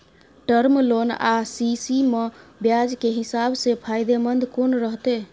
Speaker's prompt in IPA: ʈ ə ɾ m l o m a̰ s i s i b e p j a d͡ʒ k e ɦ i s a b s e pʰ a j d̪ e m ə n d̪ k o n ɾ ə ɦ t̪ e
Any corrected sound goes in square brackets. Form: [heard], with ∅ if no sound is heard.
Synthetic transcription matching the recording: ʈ ə ɾ m l o [n] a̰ s i s i [m] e [b] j a d͡ʒ k e ɦ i s a b s e pʰ a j d̪ e m ə n d̪ k o n ɾ ə ɦ t̪ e